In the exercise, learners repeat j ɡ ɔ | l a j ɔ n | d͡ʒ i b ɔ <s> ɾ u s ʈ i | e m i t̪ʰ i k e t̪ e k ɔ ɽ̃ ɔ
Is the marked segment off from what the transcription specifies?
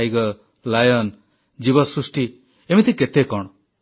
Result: no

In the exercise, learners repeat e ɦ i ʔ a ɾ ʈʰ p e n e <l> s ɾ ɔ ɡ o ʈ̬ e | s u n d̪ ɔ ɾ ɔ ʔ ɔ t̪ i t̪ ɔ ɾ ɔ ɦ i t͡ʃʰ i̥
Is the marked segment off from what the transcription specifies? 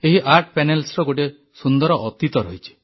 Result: no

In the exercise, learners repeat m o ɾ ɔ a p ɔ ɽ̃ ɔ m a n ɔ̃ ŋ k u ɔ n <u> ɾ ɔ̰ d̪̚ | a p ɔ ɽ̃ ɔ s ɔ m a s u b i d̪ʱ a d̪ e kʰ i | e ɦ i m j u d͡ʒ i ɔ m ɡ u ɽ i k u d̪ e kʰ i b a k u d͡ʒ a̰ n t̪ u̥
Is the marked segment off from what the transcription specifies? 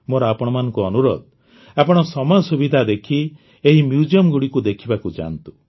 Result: no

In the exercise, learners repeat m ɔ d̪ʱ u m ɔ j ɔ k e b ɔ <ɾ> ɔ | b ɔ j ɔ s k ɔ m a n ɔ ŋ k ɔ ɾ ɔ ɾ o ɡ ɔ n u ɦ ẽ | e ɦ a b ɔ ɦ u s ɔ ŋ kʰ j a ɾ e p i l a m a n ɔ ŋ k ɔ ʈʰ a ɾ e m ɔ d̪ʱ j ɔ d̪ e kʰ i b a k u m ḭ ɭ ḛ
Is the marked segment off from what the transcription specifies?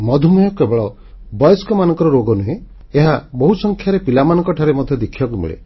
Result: yes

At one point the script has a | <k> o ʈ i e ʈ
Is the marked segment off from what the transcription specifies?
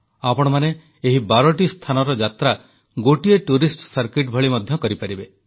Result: yes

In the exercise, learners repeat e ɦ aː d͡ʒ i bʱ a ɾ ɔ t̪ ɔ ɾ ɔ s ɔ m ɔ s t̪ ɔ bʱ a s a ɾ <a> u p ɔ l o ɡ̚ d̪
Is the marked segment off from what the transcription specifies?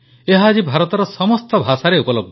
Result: yes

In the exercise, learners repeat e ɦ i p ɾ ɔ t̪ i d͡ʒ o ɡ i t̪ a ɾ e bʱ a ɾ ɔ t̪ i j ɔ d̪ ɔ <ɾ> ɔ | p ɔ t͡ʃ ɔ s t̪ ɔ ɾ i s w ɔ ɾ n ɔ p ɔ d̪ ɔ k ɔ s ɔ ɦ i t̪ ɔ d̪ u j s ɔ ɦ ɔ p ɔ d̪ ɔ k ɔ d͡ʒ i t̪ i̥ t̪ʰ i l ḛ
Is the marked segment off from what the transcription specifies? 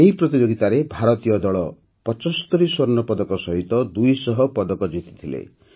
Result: yes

